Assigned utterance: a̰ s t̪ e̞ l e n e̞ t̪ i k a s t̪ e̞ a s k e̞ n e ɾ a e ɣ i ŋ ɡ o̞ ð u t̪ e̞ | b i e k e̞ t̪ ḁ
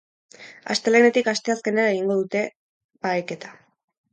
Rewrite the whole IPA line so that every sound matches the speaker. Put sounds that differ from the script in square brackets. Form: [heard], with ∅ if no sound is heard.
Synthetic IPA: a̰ s t̪ e̞ l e n e̞ t̪ i k a s t̪ e̞ a s k e̞ n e ɾ a e ɣ i ŋ ɡ o̞ ð u t̪ e̞ | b [a] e k e̞ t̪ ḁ

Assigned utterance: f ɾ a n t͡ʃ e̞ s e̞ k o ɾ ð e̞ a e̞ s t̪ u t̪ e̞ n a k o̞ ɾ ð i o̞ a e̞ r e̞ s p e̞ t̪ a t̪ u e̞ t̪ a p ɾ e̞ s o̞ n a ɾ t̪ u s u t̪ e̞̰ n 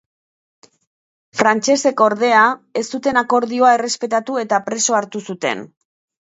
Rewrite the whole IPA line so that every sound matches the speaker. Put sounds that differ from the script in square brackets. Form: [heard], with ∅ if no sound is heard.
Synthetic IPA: f ɾ a n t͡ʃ e̞ s e̞ k o ɾ ð e̞ a e̞ s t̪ u t̪ e̞ n a k o̞ ɾ ð i o̞ a e̞ r e̞ s p e̞ t̪ a t̪ u e̞ t̪ a p ɾ e̞ s o̞ [∅] a ɾ t̪ u s u t̪ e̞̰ n

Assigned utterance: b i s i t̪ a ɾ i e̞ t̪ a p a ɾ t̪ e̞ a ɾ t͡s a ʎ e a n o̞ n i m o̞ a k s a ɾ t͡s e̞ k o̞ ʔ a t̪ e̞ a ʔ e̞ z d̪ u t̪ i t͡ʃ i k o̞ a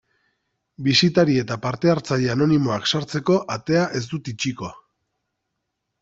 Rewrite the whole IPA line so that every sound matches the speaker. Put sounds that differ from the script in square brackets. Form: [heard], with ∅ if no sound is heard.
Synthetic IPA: b i s i t̪ a ɾ i e̞ t̪ a p a ɾ t̪ e̞ a ɾ t͡s a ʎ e a n o̞ n i m o̞ a k s a ɾ t͡s e̞ k o̞ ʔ a t̪ e̞ a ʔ e̞ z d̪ u t̪ i t͡ʃ i k o̞ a

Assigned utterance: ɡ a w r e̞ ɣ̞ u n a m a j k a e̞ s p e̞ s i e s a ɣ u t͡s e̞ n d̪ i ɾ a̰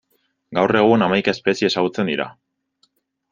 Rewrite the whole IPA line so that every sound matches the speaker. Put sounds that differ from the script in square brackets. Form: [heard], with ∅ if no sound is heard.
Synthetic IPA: ɡ a w r e̞ ɣ̞ u n a m a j k a e̞ s p e̞ s i e s a ɣ u t͡s e̞ n d̪ i ɾ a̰

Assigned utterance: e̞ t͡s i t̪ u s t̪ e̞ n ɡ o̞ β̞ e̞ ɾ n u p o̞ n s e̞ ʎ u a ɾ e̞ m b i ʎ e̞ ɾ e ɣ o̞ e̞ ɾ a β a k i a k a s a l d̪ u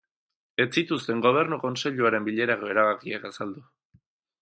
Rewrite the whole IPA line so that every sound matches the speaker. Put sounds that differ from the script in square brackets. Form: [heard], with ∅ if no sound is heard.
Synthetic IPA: e̞ t͡s i t̪ u s t̪ e̞ [ŋ] ɡ o̞ β̞ e̞ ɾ n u [k] o̞ n s e̞ ʎ u a ɾ e̞ m b i ʎ e̞ ɾ [a] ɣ o̞ e̞ ɾ a β a k i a k a s a l d̪ u

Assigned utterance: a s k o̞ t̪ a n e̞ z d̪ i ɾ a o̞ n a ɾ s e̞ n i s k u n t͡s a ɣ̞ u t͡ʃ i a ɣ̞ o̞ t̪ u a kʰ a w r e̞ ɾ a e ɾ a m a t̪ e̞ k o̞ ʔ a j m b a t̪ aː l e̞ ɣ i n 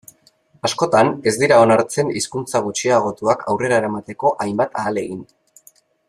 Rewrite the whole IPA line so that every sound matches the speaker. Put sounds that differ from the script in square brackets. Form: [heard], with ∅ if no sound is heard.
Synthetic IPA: a s k o̞ t̪ a n e̞ z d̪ i ɾ a o̞ n a ɾ [t͡s] e̞ n i s k u n t͡s a ɣ̞ u t͡ʃ i a ɣ̞ o̞ t̪ u a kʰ a w r e̞ ɾ a e ɾ a m a t̪ e̞ k o̞ ʔ a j m b a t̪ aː l e̞ ɣ i n

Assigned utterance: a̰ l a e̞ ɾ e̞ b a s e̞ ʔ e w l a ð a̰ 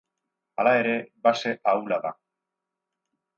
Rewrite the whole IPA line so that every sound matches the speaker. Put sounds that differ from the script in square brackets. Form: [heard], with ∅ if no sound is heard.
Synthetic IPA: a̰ l a e̞ ɾ e̞ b a s e̞ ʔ [a] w l a ð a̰

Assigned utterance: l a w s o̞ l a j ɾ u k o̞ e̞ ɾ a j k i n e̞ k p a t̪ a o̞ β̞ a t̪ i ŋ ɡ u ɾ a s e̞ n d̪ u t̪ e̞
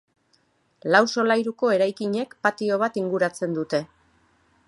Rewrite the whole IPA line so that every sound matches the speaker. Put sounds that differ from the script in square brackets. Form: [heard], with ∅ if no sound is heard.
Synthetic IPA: l a w s o̞ l a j ɾ u k o̞ e̞ ɾ a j k i [ɲ] e̞ k p a t̪ [i] o̞ β̞ a t̪ i ŋ ɡ u ɾ a [t͡s] e̞ n d̪ u t̪ e̞

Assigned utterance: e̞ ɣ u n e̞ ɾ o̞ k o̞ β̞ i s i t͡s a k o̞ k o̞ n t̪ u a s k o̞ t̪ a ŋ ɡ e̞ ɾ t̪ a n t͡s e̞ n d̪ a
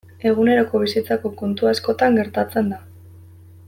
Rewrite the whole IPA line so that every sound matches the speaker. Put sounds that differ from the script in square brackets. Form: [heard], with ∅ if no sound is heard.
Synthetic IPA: e̞ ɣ u n e̞ ɾ o̞ k o̞ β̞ i s i t͡s a k o̞ k o̞ n t̪ u a s k o̞ t̪ a ŋ ɡ e̞ ɾ t̪ a [∅] t͡s e̞ n d̪ a

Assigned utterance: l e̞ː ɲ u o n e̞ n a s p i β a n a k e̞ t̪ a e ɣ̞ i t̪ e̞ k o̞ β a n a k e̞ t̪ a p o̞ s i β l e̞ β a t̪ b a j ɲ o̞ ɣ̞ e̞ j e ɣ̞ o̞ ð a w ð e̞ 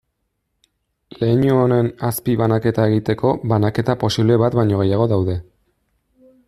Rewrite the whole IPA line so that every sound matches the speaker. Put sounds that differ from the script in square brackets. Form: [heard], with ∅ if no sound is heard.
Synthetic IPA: l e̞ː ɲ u o n e̞ n a s p i β a n a k e̞ t̪ a e ɣ̞ i t̪ e̞ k o̞ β a n a k e̞ t̪ a p o̞ s i β l e̞ β a t̪ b a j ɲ o̞ ɣ̞ e̞ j [a] ɣ̞ o̞ ð a w ð e̞

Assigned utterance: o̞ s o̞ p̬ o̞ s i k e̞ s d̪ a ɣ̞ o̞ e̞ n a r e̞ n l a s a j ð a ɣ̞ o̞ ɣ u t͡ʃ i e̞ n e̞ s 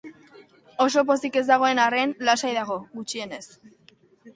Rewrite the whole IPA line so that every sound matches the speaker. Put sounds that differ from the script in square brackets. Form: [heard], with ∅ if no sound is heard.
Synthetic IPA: o̞ s o̞ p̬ o̞ s i k e̞ [z] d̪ a ɣ̞ o̞ e̞ n a r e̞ n l a s a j ð a ɣ̞ o̞ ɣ u t͡ʃ i e̞ n e̞ s

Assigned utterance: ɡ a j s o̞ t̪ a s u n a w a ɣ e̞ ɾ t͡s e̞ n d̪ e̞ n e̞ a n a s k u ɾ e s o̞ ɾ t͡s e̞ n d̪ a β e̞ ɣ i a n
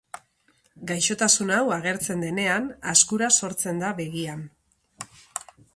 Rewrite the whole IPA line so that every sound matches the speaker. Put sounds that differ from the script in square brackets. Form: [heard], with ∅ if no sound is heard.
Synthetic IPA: ɡ a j [ʃ] o̞ t̪ a s u n a w a ɣ e̞ ɾ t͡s e̞ n d̪ e̞ n e̞ a n a s k u ɾ [a] s o̞ ɾ t͡s e̞ n d̪ a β e̞ ɣ i a n

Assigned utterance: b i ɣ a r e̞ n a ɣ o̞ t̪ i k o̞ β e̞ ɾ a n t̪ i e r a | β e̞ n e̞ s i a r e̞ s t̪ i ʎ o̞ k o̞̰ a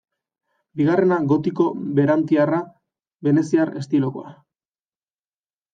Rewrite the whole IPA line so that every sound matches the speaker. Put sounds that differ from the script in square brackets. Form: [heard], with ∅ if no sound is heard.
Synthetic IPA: b i ɣ a r e̞ n a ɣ o̞ t̪ i k o̞ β e̞ ɾ a n t̪ i [a] r a | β e̞ n e̞ s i a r e̞ s t̪ i [l] o̞ k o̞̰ a

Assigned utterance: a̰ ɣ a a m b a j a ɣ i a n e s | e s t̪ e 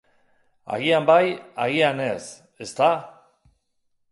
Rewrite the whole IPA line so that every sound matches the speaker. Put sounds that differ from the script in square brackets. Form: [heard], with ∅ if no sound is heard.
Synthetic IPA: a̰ ɣ [i] a m b a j a ɣ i a n e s | e s t̪ [a]

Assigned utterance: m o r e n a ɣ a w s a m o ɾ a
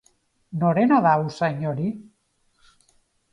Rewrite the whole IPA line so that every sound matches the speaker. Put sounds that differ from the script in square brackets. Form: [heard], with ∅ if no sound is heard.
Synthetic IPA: [n] o [ɾ] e n a [ð] a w s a [ɲ] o ɾ [i]

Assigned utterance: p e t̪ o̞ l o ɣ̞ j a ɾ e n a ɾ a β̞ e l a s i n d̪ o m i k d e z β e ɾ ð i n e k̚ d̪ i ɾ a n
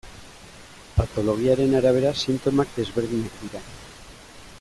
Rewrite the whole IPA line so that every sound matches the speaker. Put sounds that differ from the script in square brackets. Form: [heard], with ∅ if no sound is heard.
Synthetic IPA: p [a] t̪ o̞ l o ɣ̞ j a ɾ e n a ɾ a β̞ e [ɾ] a s i n [t̪] o m [a] k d e z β e ɾ ð i n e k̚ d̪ i ɾ a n

